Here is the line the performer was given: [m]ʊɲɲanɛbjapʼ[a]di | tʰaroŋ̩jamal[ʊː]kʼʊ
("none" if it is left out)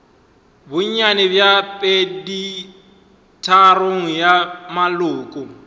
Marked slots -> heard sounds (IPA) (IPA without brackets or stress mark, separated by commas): b, e, ʊː